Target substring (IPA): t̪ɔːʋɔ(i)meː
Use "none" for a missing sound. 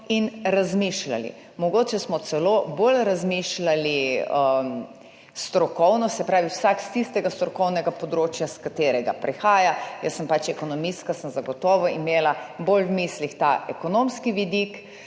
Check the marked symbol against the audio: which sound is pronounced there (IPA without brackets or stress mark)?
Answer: i